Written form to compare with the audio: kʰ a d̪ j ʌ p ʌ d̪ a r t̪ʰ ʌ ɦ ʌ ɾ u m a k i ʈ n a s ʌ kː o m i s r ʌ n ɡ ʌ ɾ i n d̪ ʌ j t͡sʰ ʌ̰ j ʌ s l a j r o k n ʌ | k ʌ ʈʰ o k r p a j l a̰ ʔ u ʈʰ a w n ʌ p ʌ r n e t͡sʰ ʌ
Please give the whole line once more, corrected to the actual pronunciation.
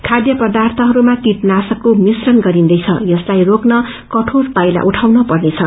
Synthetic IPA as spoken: kʰ a d̪ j ʌ p ʌ d̪ a r t̪ʰ ʌ ɦ ʌ ɾ u m a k i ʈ n a s ʌ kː o m i s r ʌ n ɡ ʌ ɾ i n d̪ ʌ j t͡sʰ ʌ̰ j ʌ s l a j r o k n ʌ | k ʌ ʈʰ o r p a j l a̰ ʔ u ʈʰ a w n ʌ p ʌ r n e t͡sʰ ʌ